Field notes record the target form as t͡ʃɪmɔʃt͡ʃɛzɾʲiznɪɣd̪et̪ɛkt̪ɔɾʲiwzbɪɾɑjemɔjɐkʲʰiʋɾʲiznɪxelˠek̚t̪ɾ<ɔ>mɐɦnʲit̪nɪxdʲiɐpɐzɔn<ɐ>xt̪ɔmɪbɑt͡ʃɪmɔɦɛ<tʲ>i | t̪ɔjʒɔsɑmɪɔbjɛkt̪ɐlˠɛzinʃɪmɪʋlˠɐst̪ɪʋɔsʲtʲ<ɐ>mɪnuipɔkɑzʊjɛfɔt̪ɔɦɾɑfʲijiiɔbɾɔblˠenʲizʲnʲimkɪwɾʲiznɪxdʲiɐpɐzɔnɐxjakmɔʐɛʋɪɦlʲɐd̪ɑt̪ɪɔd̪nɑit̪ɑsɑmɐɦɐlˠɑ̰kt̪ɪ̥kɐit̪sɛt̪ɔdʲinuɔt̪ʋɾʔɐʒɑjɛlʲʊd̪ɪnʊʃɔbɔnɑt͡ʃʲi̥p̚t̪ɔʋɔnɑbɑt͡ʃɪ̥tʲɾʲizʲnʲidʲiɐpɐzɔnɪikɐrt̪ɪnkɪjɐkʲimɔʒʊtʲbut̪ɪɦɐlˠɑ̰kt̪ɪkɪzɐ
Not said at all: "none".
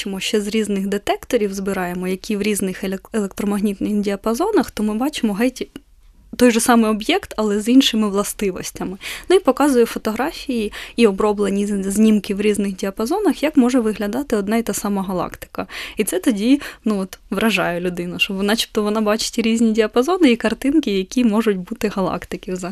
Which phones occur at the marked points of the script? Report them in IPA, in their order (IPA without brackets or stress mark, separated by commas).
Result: ɔ, ɐ, tʲ, ɐ